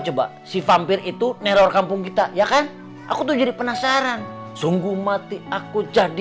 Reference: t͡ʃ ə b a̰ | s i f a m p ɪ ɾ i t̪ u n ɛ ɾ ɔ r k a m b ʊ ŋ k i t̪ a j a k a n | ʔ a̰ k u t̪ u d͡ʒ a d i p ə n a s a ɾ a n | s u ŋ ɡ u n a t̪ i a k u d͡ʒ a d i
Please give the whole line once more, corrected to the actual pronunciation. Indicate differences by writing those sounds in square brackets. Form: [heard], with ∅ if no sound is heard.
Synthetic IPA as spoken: t͡ʃ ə b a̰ | s i f a m p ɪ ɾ i t̪ u n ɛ ɾ ɔ r k a m [p] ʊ ŋ k i t̪ a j a k a n | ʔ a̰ k u t̪ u d͡ʒ a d i p ə n a s a ɾ a n | s u ŋ ɡ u [m] a t̪ i a k u d͡ʒ a d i